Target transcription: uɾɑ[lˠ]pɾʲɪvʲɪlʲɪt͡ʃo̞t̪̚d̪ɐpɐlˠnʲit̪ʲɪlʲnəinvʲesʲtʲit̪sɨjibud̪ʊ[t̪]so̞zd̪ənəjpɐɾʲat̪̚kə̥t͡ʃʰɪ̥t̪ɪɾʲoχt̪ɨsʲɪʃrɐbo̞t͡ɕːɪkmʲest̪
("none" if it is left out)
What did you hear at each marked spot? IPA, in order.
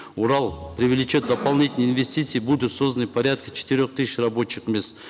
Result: lˠ, t̪

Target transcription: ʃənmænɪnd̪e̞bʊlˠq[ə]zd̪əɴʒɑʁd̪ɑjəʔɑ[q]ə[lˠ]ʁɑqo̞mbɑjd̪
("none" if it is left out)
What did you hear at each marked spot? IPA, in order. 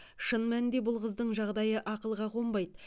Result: ə, q, lˠ

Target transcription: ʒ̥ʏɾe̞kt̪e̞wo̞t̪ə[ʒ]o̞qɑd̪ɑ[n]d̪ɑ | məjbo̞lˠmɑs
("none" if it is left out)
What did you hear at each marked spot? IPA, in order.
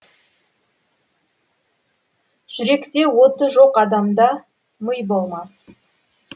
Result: ʒ, m

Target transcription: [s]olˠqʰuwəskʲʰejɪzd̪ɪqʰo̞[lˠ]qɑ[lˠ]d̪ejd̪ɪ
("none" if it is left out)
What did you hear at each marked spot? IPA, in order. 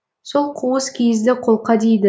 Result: s, lˠ, none

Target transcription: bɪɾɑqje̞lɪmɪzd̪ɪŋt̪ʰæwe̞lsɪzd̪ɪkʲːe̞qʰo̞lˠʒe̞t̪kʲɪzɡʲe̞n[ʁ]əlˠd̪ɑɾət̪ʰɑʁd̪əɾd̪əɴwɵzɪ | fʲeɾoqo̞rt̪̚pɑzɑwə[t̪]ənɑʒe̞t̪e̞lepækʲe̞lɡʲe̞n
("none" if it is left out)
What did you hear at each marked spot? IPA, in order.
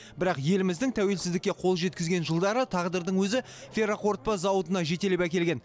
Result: ʒ, t̪

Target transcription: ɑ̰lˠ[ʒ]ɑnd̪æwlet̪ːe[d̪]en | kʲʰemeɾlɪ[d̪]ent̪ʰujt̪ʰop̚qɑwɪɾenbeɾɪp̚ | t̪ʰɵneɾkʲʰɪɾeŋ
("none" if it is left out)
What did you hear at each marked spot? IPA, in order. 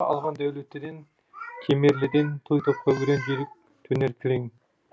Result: ʁ, d̪, d̪

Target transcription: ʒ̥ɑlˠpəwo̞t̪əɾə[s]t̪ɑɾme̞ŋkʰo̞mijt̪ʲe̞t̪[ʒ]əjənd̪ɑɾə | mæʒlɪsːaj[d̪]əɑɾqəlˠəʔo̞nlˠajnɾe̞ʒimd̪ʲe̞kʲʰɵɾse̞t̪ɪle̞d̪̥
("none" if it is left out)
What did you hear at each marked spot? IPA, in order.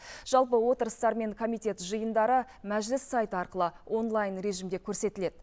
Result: s, ʒ, t̪

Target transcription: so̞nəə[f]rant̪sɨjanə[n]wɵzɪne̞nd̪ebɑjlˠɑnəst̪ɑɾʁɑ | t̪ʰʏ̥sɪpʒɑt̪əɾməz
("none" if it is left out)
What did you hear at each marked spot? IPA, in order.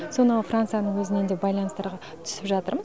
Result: f, ɴ

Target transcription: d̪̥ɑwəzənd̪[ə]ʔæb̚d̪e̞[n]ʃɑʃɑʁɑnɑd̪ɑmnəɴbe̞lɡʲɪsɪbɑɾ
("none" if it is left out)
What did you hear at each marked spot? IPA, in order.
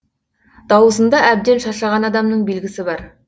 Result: ɑ, n

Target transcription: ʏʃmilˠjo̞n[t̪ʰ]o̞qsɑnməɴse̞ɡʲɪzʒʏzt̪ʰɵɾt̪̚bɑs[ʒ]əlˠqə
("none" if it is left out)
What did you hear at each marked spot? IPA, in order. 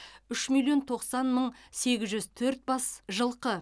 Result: t̪ʰ, ʒ

